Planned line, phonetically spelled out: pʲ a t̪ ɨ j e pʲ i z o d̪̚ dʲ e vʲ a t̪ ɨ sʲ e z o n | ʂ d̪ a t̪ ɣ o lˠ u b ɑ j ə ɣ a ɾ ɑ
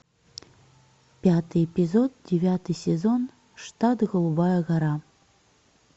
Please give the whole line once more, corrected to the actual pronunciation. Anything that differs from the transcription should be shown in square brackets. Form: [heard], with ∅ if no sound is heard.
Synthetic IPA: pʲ a t̪ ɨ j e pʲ i z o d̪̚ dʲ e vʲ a t̪ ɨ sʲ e z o n | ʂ [t̪] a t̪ ɣ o lˠ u b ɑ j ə ɣ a ɾ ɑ